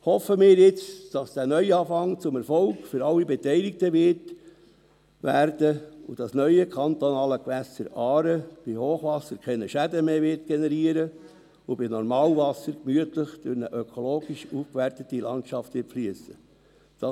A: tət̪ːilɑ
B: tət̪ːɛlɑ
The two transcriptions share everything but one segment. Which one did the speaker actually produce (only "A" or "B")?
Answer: A